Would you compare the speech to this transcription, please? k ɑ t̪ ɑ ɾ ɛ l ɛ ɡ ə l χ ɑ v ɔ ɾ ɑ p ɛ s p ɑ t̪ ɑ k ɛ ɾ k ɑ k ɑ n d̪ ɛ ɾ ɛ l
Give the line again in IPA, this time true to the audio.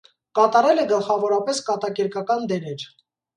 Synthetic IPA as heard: k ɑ t̪ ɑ ɾ ɛ l ɛ ɡ ə l χ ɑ v ɔ ɾ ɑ p ɛ s k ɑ t̪ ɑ k ɛ ɾ k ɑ k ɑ n d̪ ɛ ɾ ɛ ɾ